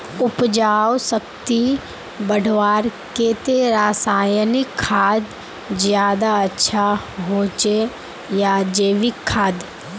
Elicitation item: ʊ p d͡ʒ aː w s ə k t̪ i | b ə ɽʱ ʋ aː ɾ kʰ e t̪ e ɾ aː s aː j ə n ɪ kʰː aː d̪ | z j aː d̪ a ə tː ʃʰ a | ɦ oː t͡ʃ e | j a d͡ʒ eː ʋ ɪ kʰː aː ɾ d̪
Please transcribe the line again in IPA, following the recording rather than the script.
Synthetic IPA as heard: ʊ p d͡ʒ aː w s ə k t̪ i | b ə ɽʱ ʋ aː ɾ k e t̪ e ɾ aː s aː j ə n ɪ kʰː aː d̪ | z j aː d̪ a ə tː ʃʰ a | ɦ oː t͡ʃ e | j a d͡ʒ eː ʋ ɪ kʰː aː d̪